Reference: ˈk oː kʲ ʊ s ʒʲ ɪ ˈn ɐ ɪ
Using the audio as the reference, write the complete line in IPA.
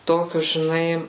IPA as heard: ˈt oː kʲ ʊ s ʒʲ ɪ ˈn ɐ ɪ